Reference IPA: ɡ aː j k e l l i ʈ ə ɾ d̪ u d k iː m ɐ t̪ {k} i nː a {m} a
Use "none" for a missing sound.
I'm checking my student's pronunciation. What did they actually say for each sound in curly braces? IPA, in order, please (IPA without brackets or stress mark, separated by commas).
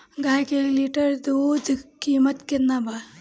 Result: k, b